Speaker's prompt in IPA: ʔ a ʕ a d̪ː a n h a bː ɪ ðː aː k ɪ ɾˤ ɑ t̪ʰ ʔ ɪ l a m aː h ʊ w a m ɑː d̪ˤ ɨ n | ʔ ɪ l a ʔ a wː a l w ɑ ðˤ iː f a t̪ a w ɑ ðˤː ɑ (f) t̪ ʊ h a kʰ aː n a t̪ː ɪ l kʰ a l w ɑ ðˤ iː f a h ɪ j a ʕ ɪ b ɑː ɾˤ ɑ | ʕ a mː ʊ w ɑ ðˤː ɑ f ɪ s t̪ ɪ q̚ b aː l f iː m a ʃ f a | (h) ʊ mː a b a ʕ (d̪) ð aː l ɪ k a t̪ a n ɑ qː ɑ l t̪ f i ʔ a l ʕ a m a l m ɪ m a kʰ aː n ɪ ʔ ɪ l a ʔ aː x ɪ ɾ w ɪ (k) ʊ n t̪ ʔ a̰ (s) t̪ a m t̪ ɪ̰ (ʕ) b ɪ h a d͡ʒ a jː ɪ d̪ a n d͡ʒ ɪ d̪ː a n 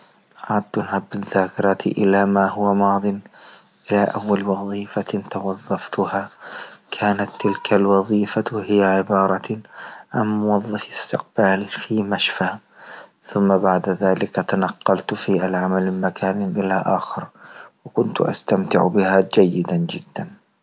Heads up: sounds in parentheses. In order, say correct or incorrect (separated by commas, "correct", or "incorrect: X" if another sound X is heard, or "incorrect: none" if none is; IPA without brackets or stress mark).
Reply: correct, incorrect: θ, correct, correct, correct, correct